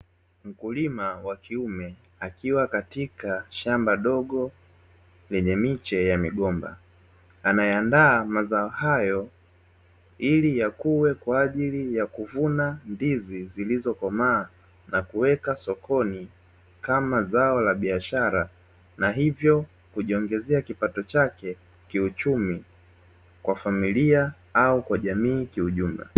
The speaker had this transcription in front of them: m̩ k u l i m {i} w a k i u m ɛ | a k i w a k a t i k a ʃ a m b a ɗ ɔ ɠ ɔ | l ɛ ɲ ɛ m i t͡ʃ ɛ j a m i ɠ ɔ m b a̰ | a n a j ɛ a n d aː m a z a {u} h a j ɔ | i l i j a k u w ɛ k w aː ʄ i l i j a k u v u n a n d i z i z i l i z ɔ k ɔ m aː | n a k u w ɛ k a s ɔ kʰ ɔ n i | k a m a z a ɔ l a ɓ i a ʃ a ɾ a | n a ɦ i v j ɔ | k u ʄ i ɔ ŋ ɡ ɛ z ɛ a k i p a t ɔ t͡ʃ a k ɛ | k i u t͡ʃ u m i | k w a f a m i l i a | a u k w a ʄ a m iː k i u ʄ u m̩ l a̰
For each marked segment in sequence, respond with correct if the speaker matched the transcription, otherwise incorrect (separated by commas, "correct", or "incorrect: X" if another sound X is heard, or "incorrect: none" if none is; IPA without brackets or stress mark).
incorrect: a, incorrect: ɔ